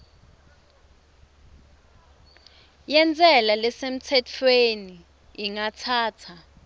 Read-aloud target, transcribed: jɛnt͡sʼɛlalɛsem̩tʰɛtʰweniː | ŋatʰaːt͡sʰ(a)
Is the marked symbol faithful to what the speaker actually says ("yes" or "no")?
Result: yes